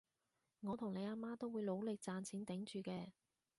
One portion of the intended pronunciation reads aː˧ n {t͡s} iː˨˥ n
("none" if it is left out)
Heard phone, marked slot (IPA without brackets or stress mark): t͡sʰ